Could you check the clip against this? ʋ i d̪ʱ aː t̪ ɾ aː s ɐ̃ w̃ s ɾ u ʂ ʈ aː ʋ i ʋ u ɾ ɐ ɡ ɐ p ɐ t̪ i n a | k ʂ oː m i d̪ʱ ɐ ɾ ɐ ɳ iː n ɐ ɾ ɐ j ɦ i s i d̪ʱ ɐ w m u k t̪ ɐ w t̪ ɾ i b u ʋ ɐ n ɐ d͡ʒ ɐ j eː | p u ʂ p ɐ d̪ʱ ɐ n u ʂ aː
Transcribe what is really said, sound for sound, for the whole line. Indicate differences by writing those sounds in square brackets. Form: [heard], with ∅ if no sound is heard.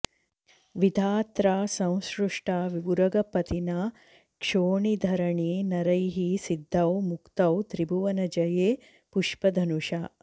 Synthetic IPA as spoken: ʋ i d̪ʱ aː t̪ ɾ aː s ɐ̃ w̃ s ɾ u ʂ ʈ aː ʋ i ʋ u ɾ ɐ ɡ ɐ p ɐ t̪ i n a | k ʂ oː [ɳ] i d̪ʱ ɐ ɾ ɐ ɳ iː n ɐ ɾ ɐ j ɦ i s i [d̪ʱː] ɐ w m u k t̪ ɐ w t̪ ɾ i b u ʋ ɐ n ɐ d͡ʒ ɐ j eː | p u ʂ p ɐ d̪ʱ ɐ n u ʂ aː